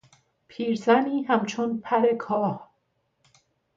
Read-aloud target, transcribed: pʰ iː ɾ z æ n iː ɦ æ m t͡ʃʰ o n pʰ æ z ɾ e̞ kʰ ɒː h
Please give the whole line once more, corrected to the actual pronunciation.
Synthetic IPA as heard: pʰ iː ɾ z æ n iː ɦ æ m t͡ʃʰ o n pʰ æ ɾ e̞ kʰ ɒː h